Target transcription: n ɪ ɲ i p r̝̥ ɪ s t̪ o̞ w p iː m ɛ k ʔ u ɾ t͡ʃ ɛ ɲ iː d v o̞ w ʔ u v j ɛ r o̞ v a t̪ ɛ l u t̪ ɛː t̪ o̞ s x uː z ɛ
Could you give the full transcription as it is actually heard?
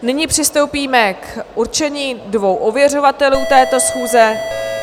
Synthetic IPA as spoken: n ɪ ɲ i p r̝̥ ɪ s t̪ o̞ w p iː m ɛ k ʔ u ɾ t͡ʃ ɛ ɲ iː d v o̞ w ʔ o v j ɛ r o̞ v a t̪ ɛ l uː t̪ ɛː t̪ o̞ s x uː z ɛ